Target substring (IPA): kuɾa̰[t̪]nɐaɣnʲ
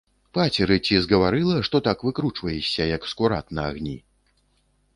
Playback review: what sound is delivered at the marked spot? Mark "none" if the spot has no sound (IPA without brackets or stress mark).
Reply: t̪